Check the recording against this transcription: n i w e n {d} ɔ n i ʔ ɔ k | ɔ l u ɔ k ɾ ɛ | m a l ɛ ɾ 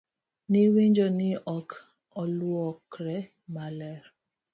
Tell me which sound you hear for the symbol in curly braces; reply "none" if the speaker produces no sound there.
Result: d͡ʒ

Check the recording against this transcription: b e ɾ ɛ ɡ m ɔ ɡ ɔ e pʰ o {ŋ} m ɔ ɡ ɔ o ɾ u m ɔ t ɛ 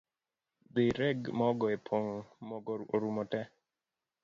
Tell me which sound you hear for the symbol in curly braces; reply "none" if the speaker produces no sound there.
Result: ŋ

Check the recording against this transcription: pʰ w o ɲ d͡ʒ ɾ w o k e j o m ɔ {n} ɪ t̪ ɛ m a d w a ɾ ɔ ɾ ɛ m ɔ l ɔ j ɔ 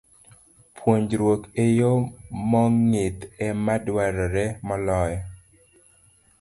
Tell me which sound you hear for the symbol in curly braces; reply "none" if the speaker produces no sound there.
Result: ŋ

